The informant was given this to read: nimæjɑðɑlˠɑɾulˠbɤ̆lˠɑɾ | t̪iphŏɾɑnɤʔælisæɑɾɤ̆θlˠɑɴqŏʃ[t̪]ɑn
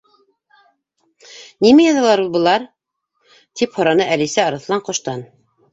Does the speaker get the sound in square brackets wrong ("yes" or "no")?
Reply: no